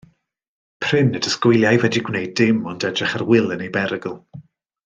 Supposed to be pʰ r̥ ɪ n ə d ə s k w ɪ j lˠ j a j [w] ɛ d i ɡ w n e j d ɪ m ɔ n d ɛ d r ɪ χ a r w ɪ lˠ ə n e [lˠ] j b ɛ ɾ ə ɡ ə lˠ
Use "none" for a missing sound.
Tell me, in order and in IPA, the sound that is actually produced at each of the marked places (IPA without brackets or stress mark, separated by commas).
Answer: v, none